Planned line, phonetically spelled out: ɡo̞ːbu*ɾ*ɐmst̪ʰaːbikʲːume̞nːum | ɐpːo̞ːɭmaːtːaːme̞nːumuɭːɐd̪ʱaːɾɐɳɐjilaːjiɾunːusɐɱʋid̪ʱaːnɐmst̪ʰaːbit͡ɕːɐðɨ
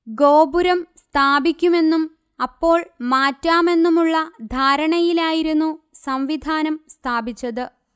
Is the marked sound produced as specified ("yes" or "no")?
yes